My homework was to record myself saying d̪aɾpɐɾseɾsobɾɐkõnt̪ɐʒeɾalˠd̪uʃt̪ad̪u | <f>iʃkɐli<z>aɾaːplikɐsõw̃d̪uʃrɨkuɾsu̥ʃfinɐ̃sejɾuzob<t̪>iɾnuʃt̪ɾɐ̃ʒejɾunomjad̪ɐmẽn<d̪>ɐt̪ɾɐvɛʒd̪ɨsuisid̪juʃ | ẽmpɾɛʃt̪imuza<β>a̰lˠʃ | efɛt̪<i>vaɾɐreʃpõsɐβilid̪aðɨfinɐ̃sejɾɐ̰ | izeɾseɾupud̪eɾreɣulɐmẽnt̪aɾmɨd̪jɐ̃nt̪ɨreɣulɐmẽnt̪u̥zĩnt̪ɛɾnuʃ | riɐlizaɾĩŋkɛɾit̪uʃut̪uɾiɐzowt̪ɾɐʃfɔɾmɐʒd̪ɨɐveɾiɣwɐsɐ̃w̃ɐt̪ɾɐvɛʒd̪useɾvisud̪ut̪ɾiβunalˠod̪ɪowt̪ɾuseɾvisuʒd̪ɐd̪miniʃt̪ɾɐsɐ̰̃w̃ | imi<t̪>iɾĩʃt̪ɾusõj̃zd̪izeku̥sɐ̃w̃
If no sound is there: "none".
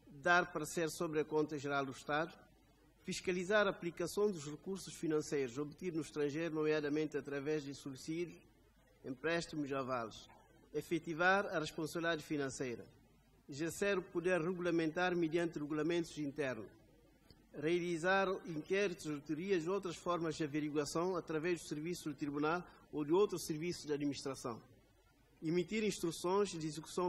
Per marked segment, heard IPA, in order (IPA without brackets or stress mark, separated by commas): f, z, t̪, t̪, v, i, t̪